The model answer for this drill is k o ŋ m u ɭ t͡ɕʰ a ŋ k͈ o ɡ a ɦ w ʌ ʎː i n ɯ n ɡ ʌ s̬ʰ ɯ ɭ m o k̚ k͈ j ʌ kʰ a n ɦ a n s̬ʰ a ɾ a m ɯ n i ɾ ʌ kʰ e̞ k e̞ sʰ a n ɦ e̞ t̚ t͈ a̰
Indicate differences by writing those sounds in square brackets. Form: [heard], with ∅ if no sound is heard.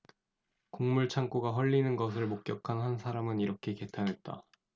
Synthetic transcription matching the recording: k o ŋ m u ɭ t͡ɕʰ a ŋ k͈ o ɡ a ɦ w ʌ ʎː i n ɯ n ɡ ʌ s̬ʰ ɯ ɭ m o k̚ k͈ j ʌ kʰ a n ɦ a n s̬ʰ a ɾ a m ɯ n i ɾ ʌ kʰ e̞ k e̞ [tʰ] a n ɦ e̞ t̚ t͈ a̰